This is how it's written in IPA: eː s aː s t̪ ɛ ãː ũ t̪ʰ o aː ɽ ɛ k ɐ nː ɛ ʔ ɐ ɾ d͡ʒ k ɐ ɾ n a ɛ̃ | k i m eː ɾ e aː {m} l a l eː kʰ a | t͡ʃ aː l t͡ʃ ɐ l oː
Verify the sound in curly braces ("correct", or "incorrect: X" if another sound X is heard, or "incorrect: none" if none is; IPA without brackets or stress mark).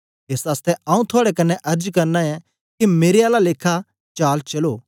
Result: incorrect: none